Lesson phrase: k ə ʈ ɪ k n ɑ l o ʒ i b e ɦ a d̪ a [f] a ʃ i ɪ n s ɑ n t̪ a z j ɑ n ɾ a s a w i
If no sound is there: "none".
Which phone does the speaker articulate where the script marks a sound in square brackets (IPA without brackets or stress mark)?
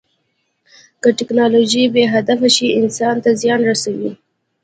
f